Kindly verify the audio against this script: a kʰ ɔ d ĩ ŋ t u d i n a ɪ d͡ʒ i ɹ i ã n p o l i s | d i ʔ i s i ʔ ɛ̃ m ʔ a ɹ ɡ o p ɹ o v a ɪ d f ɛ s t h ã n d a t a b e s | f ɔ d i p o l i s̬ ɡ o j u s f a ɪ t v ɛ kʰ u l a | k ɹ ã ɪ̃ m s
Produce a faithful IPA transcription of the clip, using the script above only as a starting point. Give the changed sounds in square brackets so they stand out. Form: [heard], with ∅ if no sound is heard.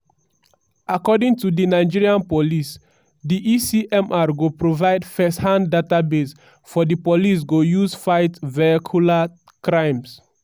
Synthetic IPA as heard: a [k] ɔ d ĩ ŋ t u d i n a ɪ d͡ʒ i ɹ i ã n p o l i s | d i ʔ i s i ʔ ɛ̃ m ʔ a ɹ ɡ o p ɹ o v a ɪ d f ɛ s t h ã n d a t a b e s | f ɔ d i p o l i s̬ ɡ o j u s f a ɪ t v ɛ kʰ u l a | k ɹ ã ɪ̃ m s